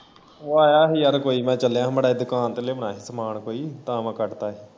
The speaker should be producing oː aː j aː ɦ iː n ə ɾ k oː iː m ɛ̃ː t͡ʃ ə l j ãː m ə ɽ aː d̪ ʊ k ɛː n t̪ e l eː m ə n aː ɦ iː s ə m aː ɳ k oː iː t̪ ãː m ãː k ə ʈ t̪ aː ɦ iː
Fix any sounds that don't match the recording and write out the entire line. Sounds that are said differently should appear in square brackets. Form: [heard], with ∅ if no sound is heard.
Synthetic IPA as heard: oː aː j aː ɦ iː [∅] ə ɾ k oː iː m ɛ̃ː t͡ʃ ə l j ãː m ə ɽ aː d̪ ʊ k [aː] n t̪ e l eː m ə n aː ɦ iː s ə m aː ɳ k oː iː t̪ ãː m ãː k ə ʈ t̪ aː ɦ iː